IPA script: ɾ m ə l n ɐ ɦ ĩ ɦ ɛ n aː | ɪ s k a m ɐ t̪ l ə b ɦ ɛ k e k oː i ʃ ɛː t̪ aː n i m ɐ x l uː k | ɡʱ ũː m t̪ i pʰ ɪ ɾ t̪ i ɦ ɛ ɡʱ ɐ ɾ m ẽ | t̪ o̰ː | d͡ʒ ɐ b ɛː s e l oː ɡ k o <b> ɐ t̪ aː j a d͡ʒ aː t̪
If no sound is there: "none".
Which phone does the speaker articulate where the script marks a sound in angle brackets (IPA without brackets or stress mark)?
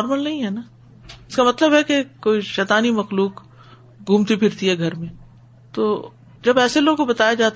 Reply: b